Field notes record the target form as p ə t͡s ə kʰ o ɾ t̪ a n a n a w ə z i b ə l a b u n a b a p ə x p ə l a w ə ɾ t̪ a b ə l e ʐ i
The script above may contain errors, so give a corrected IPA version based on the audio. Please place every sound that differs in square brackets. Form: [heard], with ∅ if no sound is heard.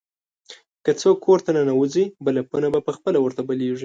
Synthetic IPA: [k] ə t͡s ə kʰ o ɾ t̪ a n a n a w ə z i b ə l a [p] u n a b a p ə x p ə l a w ə ɾ t̪ a b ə l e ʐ i